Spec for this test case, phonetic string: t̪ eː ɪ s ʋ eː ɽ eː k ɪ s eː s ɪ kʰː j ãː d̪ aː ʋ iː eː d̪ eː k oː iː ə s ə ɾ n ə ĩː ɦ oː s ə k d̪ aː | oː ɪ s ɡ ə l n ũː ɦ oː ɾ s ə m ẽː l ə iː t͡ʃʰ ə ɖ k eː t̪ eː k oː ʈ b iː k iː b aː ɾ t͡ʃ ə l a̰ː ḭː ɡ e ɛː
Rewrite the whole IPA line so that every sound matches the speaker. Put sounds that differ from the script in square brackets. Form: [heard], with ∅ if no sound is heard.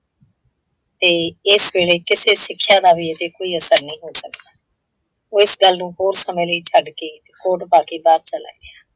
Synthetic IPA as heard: t̪ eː ɪ s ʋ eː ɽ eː k ɪ s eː s ɪ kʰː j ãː d̪ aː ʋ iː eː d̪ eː k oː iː ə s ə ɾ n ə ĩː ɦ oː s ə k d̪ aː | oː ɪ s ɡ ə l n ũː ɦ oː ɾ s ə m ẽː l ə iː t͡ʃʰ ə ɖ k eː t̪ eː k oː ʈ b [aː] k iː b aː ɾ t͡ʃ ə l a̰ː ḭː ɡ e [aː]